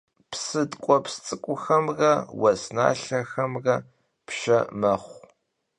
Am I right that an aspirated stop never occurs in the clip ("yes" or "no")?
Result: yes